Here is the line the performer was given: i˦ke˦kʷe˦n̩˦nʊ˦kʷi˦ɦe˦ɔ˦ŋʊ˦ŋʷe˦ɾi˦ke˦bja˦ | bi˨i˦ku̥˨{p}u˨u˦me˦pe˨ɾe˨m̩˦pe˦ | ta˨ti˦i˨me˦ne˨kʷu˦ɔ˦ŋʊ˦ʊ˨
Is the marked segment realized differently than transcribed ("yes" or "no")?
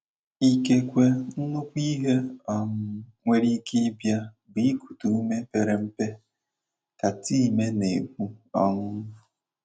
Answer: yes